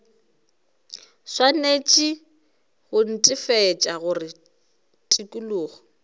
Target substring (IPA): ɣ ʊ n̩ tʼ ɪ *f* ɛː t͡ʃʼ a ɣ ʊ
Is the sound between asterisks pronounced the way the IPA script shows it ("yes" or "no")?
yes